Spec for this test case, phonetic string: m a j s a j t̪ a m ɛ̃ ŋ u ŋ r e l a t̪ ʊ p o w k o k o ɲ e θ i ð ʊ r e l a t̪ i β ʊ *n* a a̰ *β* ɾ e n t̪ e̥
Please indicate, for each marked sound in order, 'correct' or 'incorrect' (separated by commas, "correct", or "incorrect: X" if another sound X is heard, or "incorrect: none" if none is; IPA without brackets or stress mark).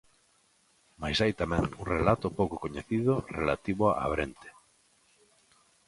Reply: incorrect: none, correct